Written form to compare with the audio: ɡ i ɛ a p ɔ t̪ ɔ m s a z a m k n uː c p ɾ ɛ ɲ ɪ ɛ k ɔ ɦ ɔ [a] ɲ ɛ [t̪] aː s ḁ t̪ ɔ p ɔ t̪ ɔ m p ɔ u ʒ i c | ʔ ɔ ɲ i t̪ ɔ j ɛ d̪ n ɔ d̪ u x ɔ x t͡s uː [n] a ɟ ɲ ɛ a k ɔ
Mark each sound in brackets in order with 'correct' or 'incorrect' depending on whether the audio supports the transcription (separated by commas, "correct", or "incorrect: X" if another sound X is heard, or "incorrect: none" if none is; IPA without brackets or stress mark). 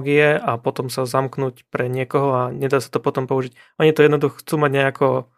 correct, incorrect: d̪, incorrect: m